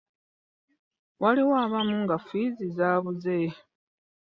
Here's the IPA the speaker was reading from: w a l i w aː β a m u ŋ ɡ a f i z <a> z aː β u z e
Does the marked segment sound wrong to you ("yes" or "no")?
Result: yes